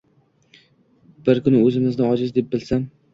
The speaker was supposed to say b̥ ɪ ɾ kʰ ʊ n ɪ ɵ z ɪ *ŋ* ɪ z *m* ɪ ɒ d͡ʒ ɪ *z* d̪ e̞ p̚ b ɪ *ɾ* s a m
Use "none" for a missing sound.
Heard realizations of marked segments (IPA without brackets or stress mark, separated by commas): m, n, z, l